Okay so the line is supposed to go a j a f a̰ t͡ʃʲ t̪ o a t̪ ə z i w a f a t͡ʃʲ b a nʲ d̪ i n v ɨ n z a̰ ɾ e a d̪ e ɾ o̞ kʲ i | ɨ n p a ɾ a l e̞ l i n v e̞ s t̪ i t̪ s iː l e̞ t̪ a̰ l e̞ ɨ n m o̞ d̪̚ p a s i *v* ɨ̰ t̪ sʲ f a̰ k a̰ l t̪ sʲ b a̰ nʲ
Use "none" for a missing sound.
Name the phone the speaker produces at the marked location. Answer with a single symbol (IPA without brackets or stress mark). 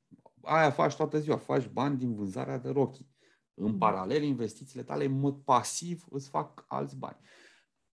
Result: v